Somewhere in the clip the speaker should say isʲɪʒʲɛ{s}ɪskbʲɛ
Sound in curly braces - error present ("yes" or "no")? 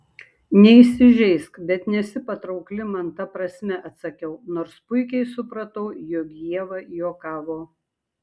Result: yes